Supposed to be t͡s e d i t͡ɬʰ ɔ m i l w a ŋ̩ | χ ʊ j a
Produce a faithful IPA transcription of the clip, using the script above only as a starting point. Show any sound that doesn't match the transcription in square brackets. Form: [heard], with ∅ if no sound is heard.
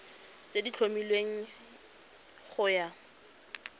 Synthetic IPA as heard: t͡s e d i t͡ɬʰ [o] m i l w [e] ŋ̩ | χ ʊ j a